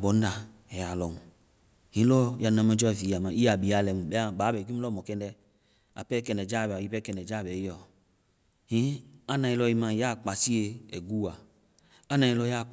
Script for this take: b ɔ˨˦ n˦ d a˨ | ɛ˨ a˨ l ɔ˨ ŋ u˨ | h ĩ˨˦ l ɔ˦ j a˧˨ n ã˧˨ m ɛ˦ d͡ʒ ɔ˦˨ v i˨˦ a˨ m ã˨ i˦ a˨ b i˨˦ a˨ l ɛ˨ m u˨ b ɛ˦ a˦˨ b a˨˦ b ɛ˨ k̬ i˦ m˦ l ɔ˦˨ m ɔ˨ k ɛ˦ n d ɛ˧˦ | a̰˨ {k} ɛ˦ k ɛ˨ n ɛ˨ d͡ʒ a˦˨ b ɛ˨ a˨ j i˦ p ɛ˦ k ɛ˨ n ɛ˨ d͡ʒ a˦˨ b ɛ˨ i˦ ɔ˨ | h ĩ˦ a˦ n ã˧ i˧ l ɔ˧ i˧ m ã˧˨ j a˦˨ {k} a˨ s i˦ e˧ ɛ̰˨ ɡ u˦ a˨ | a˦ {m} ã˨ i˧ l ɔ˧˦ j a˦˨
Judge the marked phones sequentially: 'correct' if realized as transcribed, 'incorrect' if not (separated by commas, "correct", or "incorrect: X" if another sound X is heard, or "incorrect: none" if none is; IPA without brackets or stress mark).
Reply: incorrect: p, incorrect: k͡p, incorrect: n